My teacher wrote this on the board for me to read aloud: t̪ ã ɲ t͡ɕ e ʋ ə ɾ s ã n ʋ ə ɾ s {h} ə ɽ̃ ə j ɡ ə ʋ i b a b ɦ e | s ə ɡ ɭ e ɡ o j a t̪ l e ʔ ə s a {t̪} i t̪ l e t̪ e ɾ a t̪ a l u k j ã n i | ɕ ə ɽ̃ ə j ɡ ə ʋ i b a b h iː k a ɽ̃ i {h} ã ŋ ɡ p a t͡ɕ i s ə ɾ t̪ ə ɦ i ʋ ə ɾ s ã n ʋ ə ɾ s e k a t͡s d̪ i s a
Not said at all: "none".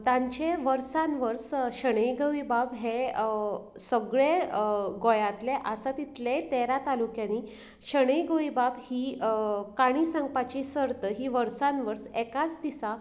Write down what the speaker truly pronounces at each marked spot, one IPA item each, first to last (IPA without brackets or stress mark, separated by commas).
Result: ɕ, t̪, s